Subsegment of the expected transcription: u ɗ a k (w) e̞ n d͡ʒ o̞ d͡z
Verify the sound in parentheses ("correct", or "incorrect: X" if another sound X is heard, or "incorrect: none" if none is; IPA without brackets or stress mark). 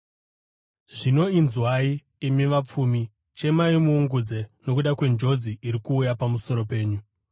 correct